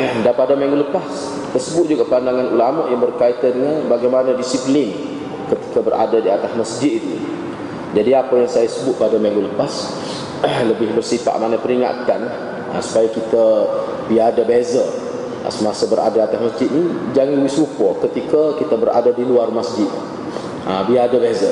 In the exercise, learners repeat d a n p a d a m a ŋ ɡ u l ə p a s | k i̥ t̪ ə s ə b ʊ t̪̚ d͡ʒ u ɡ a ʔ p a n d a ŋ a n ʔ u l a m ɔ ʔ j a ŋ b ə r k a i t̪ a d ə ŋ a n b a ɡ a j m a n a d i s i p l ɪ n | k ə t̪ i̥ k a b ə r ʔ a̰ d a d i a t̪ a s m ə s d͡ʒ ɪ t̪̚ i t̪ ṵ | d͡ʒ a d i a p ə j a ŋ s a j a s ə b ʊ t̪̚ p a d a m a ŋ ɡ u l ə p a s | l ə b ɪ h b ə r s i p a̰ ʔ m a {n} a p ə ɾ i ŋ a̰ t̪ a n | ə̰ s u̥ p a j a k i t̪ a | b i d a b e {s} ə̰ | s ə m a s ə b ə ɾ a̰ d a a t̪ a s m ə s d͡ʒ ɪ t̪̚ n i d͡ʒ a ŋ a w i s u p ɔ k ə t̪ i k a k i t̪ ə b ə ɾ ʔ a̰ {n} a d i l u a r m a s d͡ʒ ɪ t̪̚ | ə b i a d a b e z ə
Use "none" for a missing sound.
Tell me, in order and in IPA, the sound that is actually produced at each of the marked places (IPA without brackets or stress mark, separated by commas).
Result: n, z, d